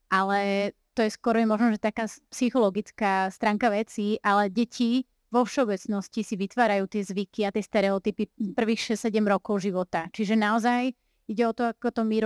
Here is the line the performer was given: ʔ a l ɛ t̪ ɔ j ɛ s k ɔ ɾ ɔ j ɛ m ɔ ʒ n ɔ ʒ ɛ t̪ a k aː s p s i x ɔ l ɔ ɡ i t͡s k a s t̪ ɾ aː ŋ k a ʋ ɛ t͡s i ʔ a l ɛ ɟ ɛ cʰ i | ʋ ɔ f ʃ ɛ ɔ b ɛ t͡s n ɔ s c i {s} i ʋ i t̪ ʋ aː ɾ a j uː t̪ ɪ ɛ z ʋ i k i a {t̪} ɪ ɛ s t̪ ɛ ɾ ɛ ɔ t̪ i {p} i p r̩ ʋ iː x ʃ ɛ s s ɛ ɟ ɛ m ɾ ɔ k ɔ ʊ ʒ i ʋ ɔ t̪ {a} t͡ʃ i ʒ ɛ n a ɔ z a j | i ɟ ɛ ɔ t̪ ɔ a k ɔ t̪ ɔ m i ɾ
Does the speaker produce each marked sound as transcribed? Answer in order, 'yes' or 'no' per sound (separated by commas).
yes, yes, yes, yes